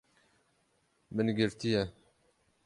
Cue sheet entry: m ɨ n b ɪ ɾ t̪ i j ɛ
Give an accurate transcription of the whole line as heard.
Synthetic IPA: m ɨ n ɡ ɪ ɾ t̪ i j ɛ